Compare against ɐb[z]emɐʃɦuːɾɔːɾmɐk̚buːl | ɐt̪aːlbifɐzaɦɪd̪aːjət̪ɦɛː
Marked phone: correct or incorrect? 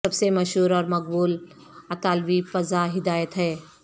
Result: incorrect: s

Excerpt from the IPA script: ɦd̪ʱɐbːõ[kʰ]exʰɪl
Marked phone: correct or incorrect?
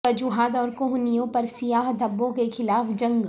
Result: incorrect: k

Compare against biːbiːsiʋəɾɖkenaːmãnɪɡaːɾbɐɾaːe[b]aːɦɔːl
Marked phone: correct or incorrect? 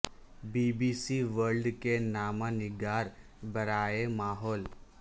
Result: incorrect: m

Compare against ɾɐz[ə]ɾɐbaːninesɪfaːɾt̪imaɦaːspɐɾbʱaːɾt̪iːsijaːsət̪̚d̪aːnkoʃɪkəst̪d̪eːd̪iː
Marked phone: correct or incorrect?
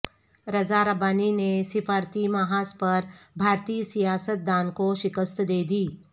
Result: incorrect: a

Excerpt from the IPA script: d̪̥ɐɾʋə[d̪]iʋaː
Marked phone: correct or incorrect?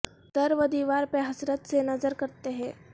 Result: correct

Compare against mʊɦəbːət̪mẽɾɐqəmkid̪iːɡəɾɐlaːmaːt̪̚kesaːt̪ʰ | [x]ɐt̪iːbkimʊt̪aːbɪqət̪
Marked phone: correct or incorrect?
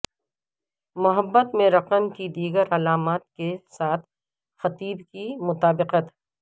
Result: correct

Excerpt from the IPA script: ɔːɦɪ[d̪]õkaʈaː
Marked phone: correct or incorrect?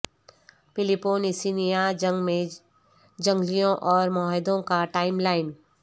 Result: correct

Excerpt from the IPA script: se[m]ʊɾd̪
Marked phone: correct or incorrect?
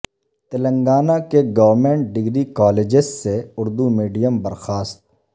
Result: incorrect: none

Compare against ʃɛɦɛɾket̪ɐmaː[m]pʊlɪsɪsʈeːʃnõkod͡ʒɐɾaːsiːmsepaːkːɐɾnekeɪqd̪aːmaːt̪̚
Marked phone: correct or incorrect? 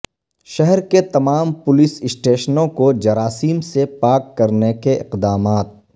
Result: correct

